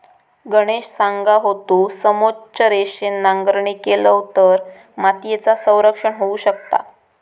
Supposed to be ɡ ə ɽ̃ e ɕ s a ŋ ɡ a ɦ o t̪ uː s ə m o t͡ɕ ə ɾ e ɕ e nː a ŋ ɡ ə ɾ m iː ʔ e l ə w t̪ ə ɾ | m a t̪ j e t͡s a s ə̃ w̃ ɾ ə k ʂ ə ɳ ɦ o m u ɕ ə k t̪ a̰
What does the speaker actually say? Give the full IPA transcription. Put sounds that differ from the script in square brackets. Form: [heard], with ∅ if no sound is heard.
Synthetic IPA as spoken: ɡ ə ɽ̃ e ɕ s a ŋ ɡ a ɦ o t̪ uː s ə m o t͡ɕ ə ɾ e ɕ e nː a ŋ ɡ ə ɾ [ɳ] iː [k] e l ə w t̪ ə ɾ | m a t̪ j e t͡s a s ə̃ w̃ ɾ ə k ʂ ə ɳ ɦ o [∅] u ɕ ə k t̪ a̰